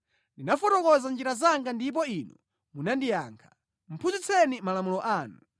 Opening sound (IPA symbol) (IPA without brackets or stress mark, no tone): n